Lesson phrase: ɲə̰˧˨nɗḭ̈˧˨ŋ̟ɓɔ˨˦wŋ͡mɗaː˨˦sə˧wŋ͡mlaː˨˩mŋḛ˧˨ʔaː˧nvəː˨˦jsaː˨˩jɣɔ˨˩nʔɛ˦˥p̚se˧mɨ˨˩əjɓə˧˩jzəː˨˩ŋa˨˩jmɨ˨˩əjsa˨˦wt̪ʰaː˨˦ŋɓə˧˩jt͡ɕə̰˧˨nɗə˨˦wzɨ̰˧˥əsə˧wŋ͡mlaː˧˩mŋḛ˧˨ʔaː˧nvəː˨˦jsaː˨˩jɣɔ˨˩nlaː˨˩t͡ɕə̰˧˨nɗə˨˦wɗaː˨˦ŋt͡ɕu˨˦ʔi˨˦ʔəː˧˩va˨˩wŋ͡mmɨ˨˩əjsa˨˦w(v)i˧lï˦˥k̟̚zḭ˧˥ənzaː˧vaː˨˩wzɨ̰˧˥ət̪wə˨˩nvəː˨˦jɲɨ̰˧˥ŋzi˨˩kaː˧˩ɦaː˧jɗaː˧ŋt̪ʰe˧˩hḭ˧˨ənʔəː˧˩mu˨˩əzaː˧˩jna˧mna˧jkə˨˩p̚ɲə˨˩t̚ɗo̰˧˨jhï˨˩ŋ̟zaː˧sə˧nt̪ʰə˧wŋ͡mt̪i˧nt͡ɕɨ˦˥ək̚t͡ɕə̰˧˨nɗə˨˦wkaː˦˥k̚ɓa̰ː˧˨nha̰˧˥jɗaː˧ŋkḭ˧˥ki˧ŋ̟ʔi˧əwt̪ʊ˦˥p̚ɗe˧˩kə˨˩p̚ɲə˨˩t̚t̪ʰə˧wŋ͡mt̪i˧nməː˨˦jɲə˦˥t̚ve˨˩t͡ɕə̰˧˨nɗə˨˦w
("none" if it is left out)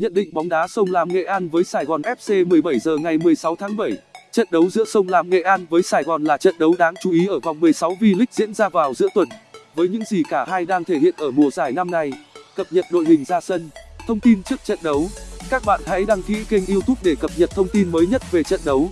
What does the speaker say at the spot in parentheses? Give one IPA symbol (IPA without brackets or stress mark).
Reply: v